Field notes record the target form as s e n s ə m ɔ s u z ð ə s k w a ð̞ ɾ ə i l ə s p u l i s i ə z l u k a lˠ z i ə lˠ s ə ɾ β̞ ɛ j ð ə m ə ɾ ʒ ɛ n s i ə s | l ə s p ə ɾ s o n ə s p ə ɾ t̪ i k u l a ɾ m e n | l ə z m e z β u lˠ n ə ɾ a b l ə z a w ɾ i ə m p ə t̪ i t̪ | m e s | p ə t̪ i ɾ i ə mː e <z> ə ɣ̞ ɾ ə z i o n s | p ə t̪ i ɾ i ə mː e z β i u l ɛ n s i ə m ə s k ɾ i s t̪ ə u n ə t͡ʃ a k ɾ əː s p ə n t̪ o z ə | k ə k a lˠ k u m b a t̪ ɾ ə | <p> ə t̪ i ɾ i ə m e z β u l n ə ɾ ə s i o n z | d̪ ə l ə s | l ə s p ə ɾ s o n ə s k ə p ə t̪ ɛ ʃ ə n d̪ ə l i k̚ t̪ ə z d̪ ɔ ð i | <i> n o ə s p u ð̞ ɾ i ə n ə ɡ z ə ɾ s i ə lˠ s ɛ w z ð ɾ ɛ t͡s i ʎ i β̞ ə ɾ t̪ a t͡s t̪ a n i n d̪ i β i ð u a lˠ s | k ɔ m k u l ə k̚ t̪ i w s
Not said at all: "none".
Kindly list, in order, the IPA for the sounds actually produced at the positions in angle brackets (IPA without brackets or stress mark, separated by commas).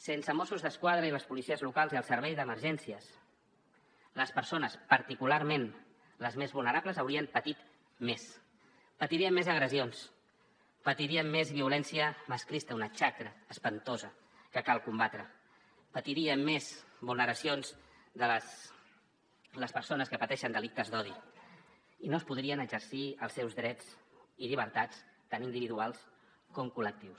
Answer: z, p, i